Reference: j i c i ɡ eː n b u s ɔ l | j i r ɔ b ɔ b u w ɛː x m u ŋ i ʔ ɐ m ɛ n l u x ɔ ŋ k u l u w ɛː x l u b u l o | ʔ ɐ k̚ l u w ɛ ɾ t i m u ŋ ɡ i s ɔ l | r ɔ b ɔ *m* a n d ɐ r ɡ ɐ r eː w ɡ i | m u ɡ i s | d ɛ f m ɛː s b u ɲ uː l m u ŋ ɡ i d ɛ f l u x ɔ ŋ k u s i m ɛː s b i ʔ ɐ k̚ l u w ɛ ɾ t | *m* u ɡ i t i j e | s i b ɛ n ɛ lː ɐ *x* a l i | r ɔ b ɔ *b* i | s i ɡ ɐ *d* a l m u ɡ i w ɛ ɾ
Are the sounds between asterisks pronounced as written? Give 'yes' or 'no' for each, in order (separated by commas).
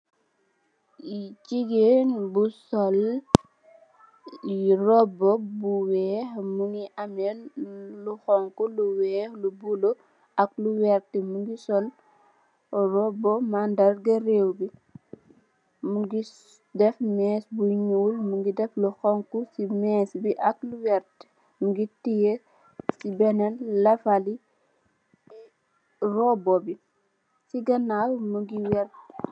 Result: yes, yes, no, yes, no